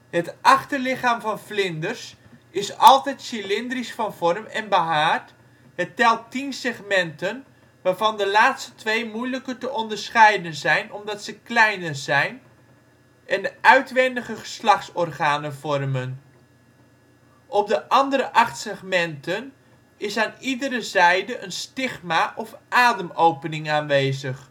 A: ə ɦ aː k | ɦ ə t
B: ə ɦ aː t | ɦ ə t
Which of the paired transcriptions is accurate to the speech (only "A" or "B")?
B